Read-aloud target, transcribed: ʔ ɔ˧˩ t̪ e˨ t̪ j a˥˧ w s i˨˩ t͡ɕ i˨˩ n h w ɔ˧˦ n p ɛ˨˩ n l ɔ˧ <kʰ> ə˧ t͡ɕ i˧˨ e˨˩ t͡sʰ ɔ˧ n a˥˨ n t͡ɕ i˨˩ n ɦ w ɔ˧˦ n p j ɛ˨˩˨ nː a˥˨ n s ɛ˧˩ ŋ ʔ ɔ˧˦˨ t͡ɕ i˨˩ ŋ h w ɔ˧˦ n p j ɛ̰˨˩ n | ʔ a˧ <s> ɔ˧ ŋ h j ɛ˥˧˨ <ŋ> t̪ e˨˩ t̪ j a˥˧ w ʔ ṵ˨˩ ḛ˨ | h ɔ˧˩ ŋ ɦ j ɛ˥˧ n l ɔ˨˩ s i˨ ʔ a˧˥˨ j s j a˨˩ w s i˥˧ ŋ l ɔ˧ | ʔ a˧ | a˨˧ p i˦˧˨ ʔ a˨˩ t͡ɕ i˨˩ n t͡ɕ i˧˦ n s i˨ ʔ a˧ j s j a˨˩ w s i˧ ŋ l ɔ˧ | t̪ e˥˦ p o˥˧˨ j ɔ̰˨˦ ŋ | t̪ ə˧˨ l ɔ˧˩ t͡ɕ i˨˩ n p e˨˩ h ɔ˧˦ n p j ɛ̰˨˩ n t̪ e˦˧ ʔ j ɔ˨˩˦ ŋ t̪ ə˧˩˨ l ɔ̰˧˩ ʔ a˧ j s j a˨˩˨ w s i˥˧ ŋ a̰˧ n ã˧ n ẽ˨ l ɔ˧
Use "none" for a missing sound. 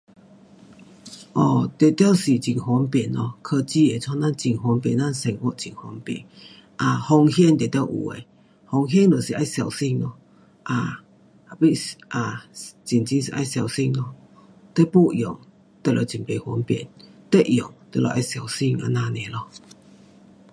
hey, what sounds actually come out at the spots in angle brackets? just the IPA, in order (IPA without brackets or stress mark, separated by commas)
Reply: kʰ, h, n